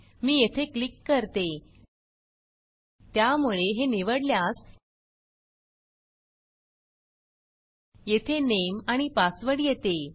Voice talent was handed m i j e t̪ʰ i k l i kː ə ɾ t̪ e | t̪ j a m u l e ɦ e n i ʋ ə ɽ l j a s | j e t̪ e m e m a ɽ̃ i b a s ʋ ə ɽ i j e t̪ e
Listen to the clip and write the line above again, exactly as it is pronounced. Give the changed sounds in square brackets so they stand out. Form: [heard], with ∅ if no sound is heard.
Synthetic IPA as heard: m [iː] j e t̪ʰ [e] k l i kː ə ɾ t̪ e | t̪ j a m u [ɭ] e ɦ e n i ʋ ə ɽ l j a s | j e [t̪ʰ] e [n] e m a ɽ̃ i [p] a s ʋ ə ɽ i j e t̪ e

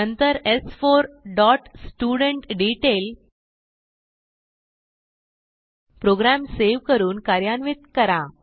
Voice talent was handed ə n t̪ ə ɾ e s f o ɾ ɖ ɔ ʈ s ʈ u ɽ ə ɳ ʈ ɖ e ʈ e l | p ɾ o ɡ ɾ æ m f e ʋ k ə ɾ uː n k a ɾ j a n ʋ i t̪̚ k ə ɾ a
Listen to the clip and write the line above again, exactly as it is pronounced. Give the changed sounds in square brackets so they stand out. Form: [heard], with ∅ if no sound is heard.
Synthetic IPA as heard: ə n t̪ ə ɾ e s f o ɾ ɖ ɔ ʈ s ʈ u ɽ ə ɳ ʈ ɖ [i] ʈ e l | p ɾ o ɡ ɾ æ m [s] e ʋ k ə ɾ uː n k a ɾ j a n ʋ i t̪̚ k ə ɾ a

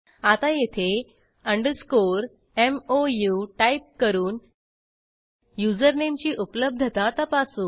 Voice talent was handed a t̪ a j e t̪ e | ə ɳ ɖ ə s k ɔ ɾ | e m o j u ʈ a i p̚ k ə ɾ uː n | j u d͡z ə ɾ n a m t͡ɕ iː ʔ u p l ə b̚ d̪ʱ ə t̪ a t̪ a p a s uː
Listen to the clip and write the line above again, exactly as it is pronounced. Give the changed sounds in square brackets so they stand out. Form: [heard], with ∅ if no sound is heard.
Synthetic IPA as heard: a t̪ a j e [t̪ʰ] e | ə ɳ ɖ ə s k [o] ɾ | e m o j u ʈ a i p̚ k ə ɾ uː n | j u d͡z ə ɾ n [e] m t͡ɕ iː ʔ u p l ə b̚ d̪ʱ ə t̪ a t̪ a p a s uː

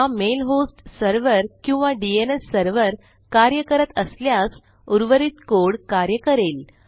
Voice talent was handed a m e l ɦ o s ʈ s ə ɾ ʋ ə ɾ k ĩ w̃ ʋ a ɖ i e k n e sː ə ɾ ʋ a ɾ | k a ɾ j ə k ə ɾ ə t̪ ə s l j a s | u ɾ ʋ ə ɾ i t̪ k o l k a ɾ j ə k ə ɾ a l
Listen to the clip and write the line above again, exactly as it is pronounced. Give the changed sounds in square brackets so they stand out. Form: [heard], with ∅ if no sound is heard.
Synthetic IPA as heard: a m e l ɦ o s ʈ s ə ɾ ʋ ə ɾ k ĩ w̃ ʋ a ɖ i e [∅] n e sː ə ɾ ʋ [ə] ɾ | k a ɾ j ə k ə ɾ ə t̪ ə s l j a s | u ɾ ʋ ə ɾ i t̪ k o [ɽ] k a ɾ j ə k ə ɾ [e] l

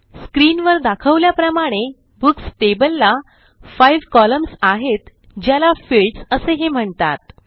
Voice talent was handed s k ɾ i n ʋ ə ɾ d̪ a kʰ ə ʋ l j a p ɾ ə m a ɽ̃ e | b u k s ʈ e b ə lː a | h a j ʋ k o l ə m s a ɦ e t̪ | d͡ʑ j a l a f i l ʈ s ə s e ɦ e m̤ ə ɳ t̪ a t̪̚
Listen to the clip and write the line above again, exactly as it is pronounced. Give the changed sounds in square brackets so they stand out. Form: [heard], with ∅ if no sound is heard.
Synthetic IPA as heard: s k ɾ i n ʋ ə ɾ d̪ a kʰ ə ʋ l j a p ɾ ə m a ɽ̃ e | b u k s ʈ e b ə lː a | [f] a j ʋ k [ɔ] l ə m s a ɦ e t̪ | d͡ʑ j a l a f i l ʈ s ə s e ɦ e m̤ ə ɳ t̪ a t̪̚

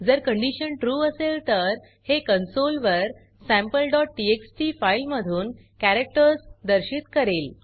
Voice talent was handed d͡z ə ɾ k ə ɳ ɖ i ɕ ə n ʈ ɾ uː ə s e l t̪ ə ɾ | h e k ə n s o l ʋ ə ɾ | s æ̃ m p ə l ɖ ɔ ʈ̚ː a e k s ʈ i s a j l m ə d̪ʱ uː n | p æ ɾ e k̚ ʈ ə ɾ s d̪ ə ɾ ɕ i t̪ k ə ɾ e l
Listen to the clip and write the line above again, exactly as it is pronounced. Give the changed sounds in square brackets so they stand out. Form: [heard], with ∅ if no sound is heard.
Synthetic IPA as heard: d͡z ə ɾ k ə ɳ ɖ i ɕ ə n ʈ ɾ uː ə s e l t̪ ə ɾ | h e k ə n s o l ʋ ə ɾ | s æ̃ m p ə l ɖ ɔ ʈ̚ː [i] e k s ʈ i [f] a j l m ə d̪ʱ uː n | [k] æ ɾ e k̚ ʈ ə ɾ s d̪ ə ɾ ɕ i t̪ k ə ɾ e l

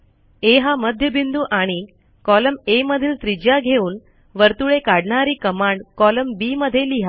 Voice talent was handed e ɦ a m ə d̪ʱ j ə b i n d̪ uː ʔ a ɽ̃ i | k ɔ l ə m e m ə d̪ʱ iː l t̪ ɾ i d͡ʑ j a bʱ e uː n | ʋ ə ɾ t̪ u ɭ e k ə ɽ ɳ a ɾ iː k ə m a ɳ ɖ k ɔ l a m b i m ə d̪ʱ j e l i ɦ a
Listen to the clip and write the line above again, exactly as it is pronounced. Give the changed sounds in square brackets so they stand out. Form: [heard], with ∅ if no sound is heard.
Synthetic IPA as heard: e ɦ a m ə d̪ʱ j ə b i n d̪ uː ʔ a ɽ̃ i | k ɔ l ə m e m ə d̪ʱ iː l t̪ ɾ i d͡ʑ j a [ɡʱ] e uː n | ʋ ə ɾ t̪ u ɭ e k [a] ɽ ɳ a ɾ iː k ə m a ɳ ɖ k ɔ l [ə] m b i m ə d̪ʱ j e l i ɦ a

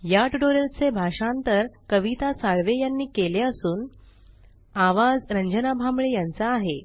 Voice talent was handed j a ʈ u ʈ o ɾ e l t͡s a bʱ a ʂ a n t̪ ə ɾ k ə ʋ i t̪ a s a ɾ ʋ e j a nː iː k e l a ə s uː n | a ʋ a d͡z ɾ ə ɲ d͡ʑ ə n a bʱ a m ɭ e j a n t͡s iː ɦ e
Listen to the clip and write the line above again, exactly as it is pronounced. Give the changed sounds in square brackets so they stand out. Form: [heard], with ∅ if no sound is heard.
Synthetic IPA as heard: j a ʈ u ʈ o ɾ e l t͡s [e] bʱ a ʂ a n t̪ ə ɾ k ə ʋ i t̪ a s a [ɭ] ʋ e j a nː iː k e l [e] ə s uː n | a ʋ a d͡z ɾ ə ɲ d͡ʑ ə n a bʱ a m ɭ e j a n t͡s [aː] ɦ e

